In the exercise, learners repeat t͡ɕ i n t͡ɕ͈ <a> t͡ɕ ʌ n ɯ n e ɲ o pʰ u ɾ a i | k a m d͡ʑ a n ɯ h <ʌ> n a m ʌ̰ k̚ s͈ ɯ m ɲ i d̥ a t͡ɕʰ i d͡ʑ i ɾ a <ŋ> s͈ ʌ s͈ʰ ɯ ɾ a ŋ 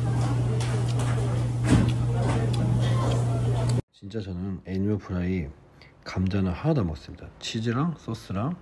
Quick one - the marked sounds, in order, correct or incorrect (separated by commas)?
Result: correct, incorrect, correct